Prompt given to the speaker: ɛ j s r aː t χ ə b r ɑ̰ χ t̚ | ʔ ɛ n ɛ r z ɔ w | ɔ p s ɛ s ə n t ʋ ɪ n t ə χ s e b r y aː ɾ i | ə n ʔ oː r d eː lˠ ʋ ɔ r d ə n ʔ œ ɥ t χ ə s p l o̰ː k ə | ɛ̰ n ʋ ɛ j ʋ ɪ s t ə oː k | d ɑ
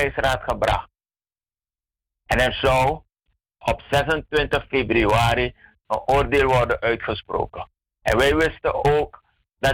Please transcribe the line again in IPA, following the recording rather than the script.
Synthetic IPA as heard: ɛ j s r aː t χ ə b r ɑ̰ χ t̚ | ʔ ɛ n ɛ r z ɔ w | ɔ p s ɛ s ə n t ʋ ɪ n t ə χ f e b r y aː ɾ i | ə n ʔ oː r d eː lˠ ʋ ɔ r d ə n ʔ œ ɥ t χ ə s p r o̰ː k ə | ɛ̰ n ʋ ɛ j ʋ ɪ s t ə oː k | d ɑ